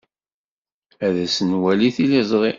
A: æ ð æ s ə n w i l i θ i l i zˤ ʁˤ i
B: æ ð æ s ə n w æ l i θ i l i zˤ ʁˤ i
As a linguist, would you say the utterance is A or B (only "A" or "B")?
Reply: B